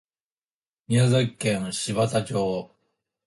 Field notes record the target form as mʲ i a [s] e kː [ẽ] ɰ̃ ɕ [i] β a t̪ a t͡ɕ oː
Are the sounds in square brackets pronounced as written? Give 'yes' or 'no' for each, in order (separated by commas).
no, yes, yes